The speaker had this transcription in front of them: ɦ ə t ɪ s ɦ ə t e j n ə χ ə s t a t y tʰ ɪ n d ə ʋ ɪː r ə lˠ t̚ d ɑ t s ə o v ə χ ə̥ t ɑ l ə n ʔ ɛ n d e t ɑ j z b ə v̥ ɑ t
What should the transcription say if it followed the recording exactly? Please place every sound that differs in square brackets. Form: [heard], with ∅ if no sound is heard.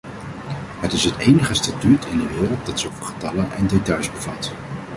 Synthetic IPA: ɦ ə t ɪ s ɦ ə t e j n ə χ ə s t a t y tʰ ɪ n d ə ʋ ɪː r ə lˠ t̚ d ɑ t s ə o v ə χ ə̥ t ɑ l ə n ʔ ɛ n d e t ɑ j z b ə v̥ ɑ t